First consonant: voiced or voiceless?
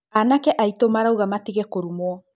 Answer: voiced